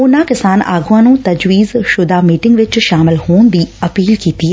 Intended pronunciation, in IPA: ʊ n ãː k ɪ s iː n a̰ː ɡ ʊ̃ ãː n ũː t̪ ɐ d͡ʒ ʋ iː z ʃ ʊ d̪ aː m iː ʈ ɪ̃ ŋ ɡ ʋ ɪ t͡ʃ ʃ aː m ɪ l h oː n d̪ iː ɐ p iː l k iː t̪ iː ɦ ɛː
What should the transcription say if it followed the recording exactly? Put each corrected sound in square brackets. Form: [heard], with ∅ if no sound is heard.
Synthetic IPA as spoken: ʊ n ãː k ɪ s [aː] n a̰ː ɡ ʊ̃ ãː n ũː t̪ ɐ d͡ʒ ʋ iː z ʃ ʊ d̪ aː m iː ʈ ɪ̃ ŋ ɡ ʋ ɪ t͡ʃ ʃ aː m ɪ l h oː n d̪ iː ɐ p iː l k iː t̪ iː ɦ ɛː